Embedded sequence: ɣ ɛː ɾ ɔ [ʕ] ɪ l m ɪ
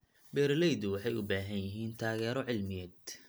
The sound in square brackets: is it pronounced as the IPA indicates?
yes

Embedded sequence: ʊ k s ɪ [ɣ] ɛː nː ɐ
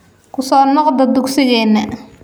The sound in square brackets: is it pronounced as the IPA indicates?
yes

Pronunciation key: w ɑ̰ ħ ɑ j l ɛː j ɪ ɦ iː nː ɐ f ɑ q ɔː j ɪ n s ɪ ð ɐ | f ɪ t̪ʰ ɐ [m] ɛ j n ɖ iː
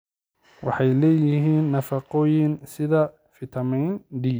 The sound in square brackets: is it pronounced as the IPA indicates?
yes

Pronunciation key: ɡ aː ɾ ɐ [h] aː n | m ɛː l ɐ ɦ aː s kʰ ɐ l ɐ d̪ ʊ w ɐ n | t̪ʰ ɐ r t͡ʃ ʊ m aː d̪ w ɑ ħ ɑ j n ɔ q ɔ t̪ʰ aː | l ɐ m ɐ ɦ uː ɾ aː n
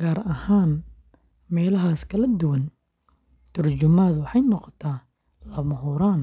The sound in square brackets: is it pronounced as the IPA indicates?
yes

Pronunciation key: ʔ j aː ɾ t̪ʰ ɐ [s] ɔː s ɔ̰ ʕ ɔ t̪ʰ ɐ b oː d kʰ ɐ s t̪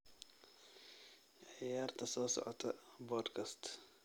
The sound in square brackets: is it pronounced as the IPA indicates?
yes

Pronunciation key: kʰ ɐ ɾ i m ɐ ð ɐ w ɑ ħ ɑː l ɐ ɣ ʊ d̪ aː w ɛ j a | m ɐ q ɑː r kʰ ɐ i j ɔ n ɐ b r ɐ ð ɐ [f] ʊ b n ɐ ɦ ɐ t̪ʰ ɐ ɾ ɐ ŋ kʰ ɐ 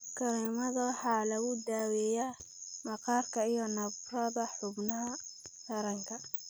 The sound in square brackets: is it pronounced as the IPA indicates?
no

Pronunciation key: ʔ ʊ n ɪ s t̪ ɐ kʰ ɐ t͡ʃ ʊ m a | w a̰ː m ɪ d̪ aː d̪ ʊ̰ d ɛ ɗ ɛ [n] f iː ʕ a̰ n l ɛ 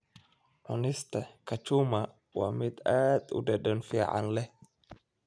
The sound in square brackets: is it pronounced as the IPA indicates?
yes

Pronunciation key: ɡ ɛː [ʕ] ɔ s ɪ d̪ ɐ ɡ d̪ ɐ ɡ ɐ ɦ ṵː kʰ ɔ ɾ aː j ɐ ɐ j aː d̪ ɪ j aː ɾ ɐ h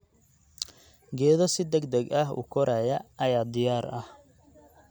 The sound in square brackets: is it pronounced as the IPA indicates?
no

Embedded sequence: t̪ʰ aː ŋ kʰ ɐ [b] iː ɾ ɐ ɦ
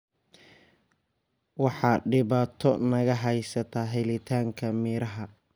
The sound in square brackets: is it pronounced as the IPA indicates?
no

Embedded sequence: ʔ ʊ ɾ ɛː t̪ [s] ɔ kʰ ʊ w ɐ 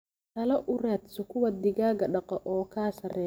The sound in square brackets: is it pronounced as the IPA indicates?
yes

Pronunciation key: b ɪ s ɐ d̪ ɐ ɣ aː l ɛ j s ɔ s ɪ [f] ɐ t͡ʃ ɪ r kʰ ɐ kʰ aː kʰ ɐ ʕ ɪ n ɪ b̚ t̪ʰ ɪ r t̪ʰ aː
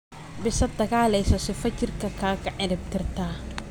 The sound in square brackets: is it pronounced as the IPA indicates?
yes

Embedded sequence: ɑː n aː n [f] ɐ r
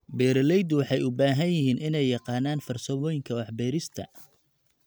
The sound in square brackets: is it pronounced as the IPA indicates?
yes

